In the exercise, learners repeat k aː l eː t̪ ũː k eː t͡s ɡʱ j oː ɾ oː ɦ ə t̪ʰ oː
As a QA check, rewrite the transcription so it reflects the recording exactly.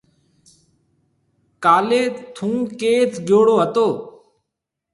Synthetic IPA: k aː l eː t̪ʰ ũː k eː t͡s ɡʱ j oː ɽ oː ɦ ə t̪ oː